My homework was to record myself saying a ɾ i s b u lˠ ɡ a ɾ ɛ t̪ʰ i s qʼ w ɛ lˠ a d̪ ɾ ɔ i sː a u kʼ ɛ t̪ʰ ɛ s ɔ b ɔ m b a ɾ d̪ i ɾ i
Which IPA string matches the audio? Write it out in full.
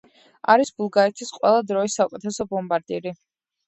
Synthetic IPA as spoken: a ɾ i s b u lˠ ɡ a ɾ ɛ t̪ʰ i s qʼ w ɛ lˠ a d̪ ɾ ɔ i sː a u kʼ ɛ t̪ʰ ɛ s ɔ b ɔ m b a ɾ d̪ i ɾ i